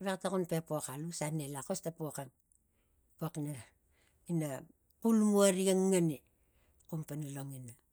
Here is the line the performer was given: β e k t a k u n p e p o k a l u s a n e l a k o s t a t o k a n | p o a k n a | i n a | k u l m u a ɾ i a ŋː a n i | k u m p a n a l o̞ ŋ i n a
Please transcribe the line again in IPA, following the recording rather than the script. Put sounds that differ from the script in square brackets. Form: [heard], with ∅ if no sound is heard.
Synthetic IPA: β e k t a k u n p e p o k a l u s a n e l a k o s t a [p] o k a n | p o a k n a | i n a | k u l m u a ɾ i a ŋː a n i | k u m p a n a l o̞ ŋ i n a